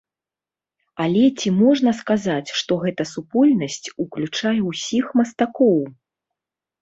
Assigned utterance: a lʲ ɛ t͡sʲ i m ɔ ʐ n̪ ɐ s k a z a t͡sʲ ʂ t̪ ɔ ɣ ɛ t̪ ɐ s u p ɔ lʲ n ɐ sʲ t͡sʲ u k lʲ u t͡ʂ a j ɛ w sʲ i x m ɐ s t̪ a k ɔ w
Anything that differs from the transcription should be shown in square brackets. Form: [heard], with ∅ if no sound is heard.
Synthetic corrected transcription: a lʲ ɛ t͡sʲ i m ɔ ʐ n̪ ɐ s k a z a t͡sʲ ʂ t̪ ɔ ɣ ɛ t̪ ɐ s u p ɔ lʲ n ɐ sʲ t͡sʲ u k lʲ u t͡ʂ a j ɛ w sʲ i x m ɐ s t̪ a k ɔ w

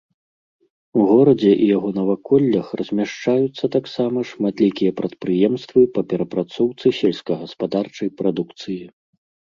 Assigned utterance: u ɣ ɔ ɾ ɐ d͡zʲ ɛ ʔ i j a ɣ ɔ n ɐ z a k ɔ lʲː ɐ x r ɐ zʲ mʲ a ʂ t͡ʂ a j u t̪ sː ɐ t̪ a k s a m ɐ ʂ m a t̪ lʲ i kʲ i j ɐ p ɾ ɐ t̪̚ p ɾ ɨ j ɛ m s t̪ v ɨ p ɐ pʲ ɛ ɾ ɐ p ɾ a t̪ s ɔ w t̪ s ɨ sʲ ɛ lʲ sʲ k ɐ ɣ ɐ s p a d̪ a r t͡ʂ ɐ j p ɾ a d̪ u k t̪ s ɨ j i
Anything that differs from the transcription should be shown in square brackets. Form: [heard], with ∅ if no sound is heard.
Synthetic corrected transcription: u ɣ ɔ ɾ ɐ d͡zʲ ɛ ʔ i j a ɣ ɔ n ɐ [v] a k ɔ lʲː ɐ x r ɐ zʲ mʲ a ʂ t͡ʂ a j u t̪ sː ɐ t̪ a k s a m ɐ ʂ m a t̪ lʲ i kʲ i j ɐ p ɾ ɐ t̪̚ p ɾ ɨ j ɛ m s t̪ v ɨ p ɐ pʲ ɛ ɾ ɐ p ɾ a t̪ s ɔ w t̪ s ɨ sʲ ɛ lʲ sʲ k ɐ ɣ ɐ s p a d̪ a r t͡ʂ ɐ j p ɾ a d̪ u k t̪ s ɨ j i

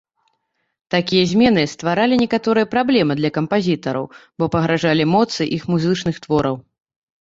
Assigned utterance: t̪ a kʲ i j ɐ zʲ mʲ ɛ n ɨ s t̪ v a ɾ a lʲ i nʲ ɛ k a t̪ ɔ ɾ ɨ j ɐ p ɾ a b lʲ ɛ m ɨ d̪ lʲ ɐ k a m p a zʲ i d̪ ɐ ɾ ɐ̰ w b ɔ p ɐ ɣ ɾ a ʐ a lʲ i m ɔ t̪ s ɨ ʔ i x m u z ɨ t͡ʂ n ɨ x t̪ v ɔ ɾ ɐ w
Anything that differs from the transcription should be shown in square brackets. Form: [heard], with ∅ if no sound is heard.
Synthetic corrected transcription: t̪ a kʲ i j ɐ zʲ mʲ ɛ n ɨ s t̪ v a ɾ a lʲ i nʲ ɛ k a t̪ ɔ ɾ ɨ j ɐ p ɾ a b lʲ ɛ m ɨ d̪ lʲ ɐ k [ɐ] m p a zʲ i [t̪] ɐ ɾ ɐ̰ w b ɔ p ɐ ɣ ɾ a ʐ a lʲ i m ɔ t̪ s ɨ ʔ i x m u z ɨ t͡ʂ n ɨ x t̪ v ɔ ɾ ɐ w

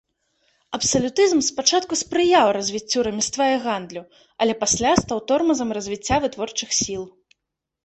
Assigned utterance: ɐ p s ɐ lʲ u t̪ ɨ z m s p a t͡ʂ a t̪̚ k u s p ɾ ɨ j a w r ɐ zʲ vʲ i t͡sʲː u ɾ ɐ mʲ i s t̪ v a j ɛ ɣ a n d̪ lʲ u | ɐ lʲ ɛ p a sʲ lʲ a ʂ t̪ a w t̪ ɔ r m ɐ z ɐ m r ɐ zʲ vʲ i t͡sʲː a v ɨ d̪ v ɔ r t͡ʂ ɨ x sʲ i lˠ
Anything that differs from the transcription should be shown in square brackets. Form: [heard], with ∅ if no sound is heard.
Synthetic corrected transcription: ɐ p s ɐ lʲ u t̪ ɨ z m s p a t͡ʂ a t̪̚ k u s p ɾ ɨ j a w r ɐ zʲ vʲ i t͡sʲː u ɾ ɐ mʲ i s t̪ v a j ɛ ɣ a n d̪ lʲ u | ɐ lʲ ɛ p a sʲ lʲ a [s] t̪ a w t̪ ɔ r m ɐ z ɐ m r ɐ zʲ vʲ i t͡sʲː a v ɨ [t̪] v ɔ r t͡ʂ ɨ x sʲ i lˠ

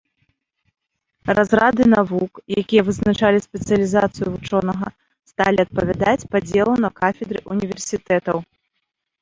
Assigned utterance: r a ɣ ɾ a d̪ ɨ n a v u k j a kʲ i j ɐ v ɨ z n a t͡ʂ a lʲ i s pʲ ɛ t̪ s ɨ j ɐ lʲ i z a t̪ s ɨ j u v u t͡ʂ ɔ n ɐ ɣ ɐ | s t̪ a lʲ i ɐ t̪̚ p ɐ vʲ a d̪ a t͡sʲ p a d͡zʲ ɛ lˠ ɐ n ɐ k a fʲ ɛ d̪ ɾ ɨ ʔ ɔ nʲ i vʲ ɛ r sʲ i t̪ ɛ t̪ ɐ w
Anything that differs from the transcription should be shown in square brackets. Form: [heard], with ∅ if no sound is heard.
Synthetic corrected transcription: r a [z] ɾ a d̪ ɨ n a v u k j a kʲ i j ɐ v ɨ z n a t͡ʂ a lʲ i s pʲ ɛ t̪ s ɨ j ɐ lʲ i z a t̪ s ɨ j u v u t͡ʂ ɔ n ɐ ɣ ɐ | s t̪ a lʲ i ɐ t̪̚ p ɐ vʲ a d̪ a t͡sʲ p a d͡zʲ ɛ lˠ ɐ n ɐ k a fʲ ɛ d̪ ɾ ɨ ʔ [u] nʲ i vʲ ɛ r sʲ i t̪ ɛ t̪ ɐ w

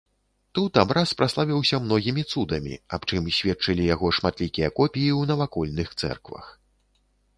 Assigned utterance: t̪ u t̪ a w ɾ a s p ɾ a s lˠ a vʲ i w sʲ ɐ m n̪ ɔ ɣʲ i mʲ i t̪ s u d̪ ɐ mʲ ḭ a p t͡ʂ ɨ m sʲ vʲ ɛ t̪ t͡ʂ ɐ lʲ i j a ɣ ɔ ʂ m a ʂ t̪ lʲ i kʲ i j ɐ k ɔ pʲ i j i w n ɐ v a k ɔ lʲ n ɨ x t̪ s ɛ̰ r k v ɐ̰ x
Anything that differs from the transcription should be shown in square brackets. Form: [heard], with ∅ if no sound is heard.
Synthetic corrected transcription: t̪ u t̪ a [b] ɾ a s p ɾ a s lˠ a vʲ i w sʲ ɐ m n̪ ɔ ɣʲ i mʲ i t̪ s u d̪ ɐ mʲ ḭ a p t͡ʂ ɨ m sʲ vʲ ɛ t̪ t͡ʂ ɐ lʲ i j a ɣ ɔ ʂ m a [∅] t̪ lʲ i kʲ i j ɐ k ɔ pʲ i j i w n ɐ v a k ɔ lʲ n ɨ x t̪ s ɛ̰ r k v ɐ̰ x

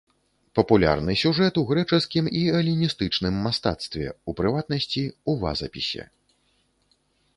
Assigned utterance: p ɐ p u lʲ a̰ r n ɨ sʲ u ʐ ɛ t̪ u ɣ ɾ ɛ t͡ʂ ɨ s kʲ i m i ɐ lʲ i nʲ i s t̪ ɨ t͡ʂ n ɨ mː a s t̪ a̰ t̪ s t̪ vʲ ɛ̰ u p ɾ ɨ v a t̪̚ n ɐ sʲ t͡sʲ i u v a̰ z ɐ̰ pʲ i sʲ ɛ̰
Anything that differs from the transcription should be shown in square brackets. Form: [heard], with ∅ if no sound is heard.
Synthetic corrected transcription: p ɐ p u lʲ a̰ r n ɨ sʲ u ʐ ɛ t̪ u ɣ ɾ ɛ t͡ʂ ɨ s kʲ i m i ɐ lʲ i nʲ i s t̪ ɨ t͡ʂ n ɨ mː a s t̪ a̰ t̪ s t̪ vʲ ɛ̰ u p ɾ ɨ v a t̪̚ n ɐ sʲ t͡sʲ i u v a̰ z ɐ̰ pʲ i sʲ ɛ̰

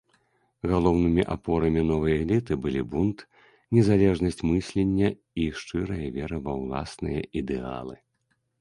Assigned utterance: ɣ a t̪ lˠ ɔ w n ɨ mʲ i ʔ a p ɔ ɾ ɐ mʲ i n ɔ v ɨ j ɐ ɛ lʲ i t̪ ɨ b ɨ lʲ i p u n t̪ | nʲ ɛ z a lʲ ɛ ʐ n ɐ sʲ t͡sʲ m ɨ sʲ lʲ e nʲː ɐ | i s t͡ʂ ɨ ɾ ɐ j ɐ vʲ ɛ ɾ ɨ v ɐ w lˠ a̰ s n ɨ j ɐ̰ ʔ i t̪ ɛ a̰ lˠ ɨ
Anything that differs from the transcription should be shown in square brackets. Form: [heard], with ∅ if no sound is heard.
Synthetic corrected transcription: ɣ a [∅] lˠ ɔ w n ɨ mʲ i ʔ a p ɔ ɾ ɐ mʲ i n ɔ v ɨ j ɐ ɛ lʲ i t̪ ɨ b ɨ lʲ i [b] u n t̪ | nʲ ɛ z a lʲ ɛ ʐ n ɐ sʲ t͡sʲ m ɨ sʲ lʲ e nʲː ɐ | i [ʂ] t͡ʂ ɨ ɾ ɐ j ɐ vʲ ɛ ɾ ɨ v ɐ w lˠ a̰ s n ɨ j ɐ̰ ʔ i [d̪] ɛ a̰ lˠ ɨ

